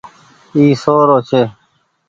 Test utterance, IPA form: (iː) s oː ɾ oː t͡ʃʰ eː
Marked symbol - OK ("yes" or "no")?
yes